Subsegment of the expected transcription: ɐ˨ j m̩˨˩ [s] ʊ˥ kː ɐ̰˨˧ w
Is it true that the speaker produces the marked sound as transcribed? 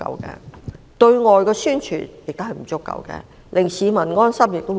no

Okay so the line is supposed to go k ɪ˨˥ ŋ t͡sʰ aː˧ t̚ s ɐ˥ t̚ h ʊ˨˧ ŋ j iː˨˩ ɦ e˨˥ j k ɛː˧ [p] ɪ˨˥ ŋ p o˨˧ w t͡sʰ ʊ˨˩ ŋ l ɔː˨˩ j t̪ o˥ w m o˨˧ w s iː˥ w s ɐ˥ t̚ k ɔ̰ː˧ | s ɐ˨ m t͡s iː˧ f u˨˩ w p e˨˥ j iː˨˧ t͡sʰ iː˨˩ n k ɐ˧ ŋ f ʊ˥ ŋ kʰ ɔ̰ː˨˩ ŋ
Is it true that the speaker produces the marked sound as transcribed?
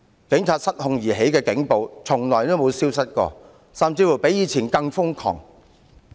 no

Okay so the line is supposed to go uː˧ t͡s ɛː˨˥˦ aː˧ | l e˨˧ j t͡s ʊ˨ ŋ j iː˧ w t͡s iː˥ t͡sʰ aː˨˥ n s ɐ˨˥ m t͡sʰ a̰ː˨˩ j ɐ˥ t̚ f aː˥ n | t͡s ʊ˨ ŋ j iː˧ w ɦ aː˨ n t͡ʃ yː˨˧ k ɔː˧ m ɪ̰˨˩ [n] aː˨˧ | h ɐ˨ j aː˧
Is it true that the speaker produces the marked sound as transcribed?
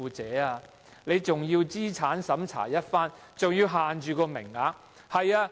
no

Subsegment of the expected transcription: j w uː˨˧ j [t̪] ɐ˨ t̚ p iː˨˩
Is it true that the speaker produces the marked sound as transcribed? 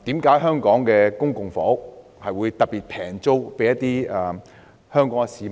yes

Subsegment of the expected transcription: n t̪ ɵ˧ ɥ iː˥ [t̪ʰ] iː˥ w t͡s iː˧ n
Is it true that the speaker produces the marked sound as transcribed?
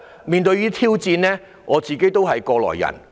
yes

